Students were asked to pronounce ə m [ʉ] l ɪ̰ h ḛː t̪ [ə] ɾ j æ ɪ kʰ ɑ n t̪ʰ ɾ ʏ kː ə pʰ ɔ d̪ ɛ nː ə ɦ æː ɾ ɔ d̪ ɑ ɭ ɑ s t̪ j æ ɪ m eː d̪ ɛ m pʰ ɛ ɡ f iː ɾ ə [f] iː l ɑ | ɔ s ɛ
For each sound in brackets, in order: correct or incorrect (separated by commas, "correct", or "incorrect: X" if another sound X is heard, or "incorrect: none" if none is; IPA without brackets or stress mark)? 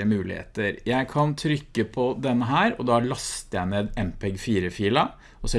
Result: incorrect: ʉː, correct, correct